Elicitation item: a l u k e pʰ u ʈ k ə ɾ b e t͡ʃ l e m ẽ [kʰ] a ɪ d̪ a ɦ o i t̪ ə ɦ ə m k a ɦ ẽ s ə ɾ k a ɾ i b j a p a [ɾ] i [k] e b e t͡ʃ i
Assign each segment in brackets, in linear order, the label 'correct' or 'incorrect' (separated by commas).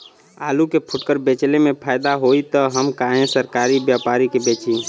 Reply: incorrect, correct, correct